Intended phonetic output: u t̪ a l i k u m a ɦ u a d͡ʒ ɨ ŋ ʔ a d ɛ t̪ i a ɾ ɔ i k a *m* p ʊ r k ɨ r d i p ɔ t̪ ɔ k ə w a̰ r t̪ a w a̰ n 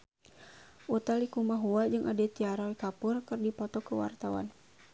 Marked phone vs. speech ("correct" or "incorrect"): incorrect